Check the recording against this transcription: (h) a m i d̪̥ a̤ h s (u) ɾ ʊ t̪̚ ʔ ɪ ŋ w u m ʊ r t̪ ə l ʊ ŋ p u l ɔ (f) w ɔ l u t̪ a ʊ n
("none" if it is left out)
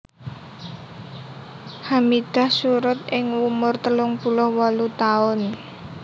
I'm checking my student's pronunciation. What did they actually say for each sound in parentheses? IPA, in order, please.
h, u, h

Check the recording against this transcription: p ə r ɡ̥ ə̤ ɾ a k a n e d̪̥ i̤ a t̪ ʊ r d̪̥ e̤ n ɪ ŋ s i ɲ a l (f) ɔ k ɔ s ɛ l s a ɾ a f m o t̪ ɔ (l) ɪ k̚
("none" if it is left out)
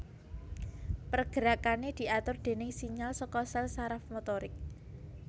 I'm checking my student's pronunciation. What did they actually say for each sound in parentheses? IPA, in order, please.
s, ɾ

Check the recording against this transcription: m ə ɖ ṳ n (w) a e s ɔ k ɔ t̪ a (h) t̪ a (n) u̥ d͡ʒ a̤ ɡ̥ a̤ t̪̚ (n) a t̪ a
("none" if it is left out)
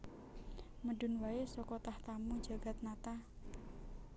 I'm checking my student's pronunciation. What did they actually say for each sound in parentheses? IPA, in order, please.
w, h, m, n

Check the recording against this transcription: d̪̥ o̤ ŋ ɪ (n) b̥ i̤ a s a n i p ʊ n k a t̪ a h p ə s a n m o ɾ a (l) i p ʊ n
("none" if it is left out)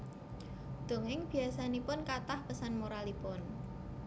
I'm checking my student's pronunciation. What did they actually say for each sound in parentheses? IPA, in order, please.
ŋ, l

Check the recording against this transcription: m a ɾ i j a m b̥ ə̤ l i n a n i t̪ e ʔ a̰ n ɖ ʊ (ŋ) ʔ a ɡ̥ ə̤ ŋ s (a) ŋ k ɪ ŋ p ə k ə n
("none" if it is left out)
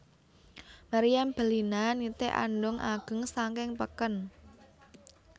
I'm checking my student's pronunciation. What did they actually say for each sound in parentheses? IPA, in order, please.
ŋ, a

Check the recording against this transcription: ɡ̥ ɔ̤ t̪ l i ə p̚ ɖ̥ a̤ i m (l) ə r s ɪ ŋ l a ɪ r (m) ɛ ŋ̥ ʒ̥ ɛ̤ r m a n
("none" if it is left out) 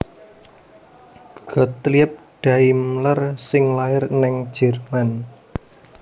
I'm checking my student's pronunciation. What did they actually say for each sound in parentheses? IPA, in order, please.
l, n

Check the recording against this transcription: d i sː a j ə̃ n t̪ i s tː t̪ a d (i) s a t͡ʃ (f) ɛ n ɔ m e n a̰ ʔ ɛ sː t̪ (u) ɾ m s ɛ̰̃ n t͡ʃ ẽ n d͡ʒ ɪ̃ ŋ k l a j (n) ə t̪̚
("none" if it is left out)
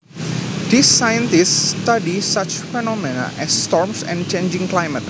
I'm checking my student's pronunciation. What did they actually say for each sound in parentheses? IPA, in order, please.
i, f, ɔ, m

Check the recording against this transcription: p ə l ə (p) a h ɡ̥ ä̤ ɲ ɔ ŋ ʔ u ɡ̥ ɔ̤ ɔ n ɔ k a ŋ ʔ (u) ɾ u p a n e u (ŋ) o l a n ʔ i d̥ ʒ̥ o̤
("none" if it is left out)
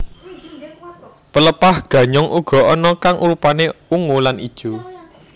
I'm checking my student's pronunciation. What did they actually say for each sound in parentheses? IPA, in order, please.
p, u, ŋ

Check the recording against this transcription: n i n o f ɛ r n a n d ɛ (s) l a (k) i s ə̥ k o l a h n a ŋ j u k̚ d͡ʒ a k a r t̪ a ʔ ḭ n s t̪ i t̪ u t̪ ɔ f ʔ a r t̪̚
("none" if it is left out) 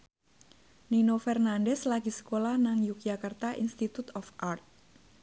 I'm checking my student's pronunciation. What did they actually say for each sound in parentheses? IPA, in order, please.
s, ɡ

